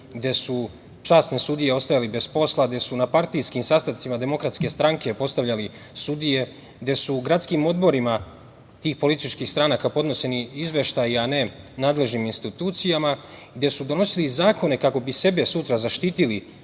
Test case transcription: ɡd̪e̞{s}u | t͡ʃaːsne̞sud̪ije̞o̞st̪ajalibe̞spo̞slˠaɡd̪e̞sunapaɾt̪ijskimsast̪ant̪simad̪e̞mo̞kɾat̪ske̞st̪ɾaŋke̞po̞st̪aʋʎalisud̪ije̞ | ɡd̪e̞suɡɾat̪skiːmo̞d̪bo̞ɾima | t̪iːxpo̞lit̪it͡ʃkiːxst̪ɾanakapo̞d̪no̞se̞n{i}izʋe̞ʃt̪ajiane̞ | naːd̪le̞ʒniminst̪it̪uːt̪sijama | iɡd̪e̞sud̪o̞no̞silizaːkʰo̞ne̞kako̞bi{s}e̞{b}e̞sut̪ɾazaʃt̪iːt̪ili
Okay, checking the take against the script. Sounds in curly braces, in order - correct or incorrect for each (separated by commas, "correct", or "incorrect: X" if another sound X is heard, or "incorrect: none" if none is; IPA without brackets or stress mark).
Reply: correct, correct, correct, correct